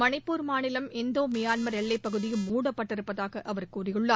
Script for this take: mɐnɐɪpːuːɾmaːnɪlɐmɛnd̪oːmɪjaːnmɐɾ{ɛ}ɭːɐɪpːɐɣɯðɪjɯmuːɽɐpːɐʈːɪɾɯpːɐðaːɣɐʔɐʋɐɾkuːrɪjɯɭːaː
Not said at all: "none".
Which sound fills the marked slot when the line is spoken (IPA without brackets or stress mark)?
ɛ